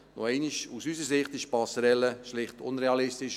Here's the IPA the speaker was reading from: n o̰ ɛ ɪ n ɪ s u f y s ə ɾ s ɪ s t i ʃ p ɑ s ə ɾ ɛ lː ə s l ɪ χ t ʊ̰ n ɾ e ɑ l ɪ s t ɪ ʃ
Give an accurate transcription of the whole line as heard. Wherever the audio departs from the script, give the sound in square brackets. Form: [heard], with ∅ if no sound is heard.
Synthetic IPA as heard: n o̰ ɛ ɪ n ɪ [ʃ] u [s] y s ə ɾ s ɪ [χ] t [ɪ] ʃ p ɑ s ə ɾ ɛ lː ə [ʃ] l ɪ χ t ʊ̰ n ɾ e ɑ l ɪ s t ɪ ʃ